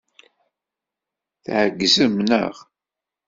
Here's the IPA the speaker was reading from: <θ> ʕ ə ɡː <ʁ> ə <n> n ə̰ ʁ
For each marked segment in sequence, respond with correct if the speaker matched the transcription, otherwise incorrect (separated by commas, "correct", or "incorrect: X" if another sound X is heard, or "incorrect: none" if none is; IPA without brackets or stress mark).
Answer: correct, incorrect: z, incorrect: m